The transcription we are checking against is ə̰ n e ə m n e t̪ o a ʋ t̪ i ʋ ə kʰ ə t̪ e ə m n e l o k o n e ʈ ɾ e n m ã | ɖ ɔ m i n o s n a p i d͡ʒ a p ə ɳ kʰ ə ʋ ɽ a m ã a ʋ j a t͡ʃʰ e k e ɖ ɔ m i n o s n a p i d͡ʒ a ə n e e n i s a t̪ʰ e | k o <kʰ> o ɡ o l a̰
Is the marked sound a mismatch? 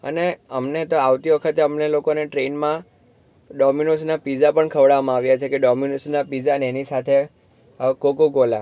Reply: yes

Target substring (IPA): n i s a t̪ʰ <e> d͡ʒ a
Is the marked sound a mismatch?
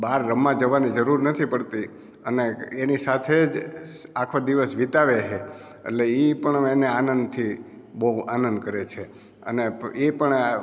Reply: no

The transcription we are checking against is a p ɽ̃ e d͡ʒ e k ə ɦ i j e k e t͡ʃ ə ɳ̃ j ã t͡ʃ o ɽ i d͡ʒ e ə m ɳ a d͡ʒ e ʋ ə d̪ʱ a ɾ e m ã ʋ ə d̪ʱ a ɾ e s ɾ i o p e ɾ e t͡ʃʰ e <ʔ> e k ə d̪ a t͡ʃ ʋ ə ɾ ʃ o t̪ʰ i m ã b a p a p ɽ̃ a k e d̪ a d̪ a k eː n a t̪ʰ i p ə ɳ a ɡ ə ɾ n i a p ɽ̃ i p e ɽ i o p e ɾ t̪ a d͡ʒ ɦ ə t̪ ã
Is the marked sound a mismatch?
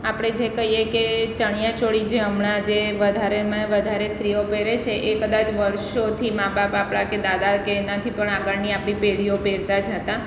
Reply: no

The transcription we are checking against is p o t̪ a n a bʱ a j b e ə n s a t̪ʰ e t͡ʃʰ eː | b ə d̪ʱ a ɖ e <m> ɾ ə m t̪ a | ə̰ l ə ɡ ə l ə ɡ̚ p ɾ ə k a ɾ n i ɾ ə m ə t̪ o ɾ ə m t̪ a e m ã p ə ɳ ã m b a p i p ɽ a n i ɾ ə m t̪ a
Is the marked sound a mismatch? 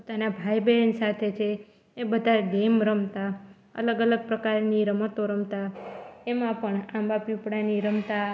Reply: no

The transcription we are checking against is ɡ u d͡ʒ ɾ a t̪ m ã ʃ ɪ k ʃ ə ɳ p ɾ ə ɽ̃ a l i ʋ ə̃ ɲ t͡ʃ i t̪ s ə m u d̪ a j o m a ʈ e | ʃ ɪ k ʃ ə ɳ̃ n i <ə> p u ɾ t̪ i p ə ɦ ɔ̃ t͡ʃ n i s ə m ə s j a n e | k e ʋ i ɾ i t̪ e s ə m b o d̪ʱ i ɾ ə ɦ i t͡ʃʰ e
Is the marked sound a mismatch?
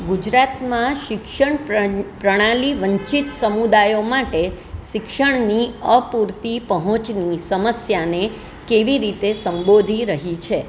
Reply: no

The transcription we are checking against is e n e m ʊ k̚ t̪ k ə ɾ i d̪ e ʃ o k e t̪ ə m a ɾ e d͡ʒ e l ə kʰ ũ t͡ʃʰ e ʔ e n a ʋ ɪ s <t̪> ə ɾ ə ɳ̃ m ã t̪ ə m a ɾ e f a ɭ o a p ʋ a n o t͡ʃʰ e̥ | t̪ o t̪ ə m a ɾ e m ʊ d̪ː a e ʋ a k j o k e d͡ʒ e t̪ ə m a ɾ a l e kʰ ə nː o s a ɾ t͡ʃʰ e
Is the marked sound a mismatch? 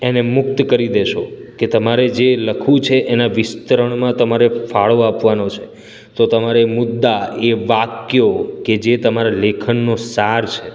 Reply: no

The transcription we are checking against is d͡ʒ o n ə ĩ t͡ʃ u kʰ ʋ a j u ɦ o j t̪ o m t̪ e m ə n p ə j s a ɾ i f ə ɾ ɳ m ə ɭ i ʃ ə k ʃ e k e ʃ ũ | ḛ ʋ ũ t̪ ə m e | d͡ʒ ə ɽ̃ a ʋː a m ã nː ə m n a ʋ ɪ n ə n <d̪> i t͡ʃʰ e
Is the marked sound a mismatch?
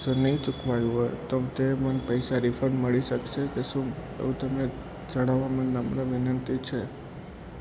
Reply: yes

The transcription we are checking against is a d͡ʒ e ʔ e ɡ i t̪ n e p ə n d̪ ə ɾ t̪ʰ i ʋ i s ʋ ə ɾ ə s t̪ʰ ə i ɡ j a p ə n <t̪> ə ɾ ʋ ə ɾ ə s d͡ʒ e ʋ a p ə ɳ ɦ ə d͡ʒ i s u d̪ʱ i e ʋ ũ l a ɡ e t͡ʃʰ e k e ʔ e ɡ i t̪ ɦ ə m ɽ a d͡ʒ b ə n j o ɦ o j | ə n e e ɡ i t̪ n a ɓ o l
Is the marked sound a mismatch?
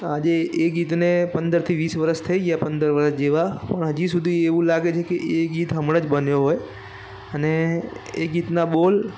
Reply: yes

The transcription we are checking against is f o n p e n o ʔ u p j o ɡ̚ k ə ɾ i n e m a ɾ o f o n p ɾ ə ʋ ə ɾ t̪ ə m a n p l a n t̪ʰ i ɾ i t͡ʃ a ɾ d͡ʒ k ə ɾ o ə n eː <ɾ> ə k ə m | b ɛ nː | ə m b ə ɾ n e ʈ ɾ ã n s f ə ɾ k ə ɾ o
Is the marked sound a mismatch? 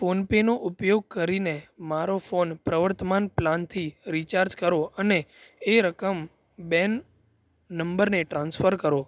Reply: no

